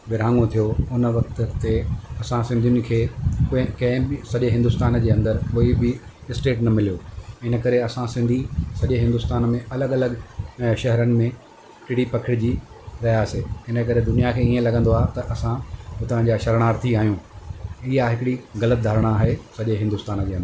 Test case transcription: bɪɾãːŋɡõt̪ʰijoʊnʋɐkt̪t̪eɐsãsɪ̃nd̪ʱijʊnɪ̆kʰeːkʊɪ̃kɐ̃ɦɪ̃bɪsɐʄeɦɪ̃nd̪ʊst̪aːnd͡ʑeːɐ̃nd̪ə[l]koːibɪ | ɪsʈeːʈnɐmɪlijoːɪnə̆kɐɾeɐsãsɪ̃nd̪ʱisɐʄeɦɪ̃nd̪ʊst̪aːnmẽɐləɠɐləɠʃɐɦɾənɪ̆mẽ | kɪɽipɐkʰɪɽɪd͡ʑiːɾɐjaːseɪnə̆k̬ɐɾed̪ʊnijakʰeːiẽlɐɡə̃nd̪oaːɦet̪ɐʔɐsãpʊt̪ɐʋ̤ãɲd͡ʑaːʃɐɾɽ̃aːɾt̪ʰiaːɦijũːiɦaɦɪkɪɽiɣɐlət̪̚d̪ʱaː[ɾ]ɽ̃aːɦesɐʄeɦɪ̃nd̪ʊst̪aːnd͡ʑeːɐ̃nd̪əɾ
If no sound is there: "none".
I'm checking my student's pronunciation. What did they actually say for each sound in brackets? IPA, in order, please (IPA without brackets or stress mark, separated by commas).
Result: ɾ, ɾ